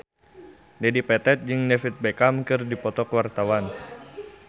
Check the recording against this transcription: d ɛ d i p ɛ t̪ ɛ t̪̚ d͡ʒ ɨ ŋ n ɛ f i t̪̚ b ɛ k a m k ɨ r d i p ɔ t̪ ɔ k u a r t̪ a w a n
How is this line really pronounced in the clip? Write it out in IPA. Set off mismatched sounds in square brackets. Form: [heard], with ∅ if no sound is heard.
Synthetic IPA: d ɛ d i p ɛ t̪ ɛ t̪̚ d͡ʒ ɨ ŋ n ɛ f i t̪̚ b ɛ k a m k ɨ r d i p ɔ t̪ ɔ k [w] a r t̪ a w a n